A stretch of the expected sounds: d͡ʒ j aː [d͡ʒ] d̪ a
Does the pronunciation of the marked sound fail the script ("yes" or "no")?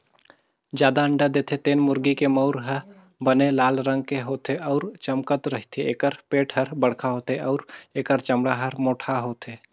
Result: yes